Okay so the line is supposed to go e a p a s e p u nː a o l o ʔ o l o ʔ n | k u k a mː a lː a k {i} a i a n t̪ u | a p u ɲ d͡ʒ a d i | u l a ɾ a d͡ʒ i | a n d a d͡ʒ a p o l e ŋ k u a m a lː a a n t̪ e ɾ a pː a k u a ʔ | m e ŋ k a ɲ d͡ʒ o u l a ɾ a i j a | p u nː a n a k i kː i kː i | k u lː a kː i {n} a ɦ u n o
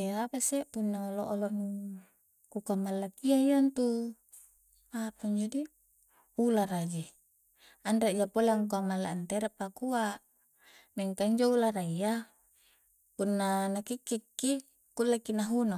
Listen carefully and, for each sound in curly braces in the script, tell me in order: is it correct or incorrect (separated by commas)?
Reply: correct, correct